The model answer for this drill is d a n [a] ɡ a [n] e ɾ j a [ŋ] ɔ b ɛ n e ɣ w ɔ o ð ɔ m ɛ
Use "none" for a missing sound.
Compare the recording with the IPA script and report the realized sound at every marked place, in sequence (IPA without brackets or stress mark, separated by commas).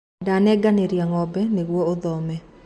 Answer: ɛ, n, ŋ